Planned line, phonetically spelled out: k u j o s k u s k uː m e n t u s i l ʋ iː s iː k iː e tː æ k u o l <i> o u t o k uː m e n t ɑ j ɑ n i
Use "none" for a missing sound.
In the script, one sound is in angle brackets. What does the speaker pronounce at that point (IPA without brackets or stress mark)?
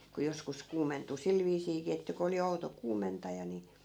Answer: i